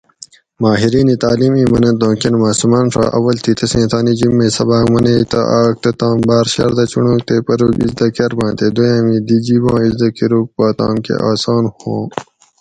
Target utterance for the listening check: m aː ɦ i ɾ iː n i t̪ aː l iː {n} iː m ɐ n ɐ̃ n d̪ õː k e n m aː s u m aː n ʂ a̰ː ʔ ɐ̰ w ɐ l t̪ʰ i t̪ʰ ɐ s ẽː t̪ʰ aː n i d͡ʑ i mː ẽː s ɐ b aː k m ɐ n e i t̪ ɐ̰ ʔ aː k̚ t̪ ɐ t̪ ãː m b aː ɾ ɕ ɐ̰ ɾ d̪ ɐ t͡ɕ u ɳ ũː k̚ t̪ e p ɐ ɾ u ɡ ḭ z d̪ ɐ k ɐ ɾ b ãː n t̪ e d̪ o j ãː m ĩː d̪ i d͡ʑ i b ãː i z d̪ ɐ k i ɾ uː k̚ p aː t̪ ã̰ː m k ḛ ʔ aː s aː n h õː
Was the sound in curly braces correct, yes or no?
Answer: no